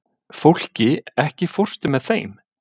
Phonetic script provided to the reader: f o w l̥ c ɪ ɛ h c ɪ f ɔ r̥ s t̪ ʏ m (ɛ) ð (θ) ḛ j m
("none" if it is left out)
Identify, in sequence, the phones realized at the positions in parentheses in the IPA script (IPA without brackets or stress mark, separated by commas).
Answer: ɛ, θ